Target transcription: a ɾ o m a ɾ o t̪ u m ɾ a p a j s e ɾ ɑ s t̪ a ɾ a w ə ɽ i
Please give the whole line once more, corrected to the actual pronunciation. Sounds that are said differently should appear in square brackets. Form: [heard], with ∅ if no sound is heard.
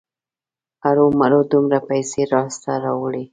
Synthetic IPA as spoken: a ɾ o m a ɾ o [d̪] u m ɾ a p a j s e ɾ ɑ s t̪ a ɾ [ɑ] w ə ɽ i